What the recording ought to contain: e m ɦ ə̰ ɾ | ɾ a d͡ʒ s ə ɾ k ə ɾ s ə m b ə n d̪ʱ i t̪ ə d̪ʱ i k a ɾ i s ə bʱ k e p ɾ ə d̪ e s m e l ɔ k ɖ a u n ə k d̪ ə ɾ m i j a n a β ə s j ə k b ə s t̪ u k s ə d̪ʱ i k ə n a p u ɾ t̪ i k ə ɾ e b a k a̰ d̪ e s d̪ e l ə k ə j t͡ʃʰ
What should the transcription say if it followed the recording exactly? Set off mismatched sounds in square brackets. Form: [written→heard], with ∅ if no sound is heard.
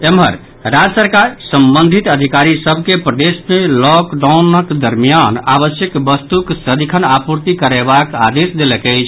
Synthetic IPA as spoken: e m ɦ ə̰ ɾ | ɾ a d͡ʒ s ə ɾ k [ə→a] ɾ s ə m b ə n d̪ʱ i t̪ ə d̪ʱ i k a ɾ i s ə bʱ k e p ɾ ə d̪ e s m e l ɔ k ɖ a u n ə k d̪ ə ɾ m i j a n a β ə s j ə k b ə s t̪ u k s ə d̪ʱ i [k→kʰ] ə n a p u ɾ t̪ i k ə ɾ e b a k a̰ d̪ e s d̪ e l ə k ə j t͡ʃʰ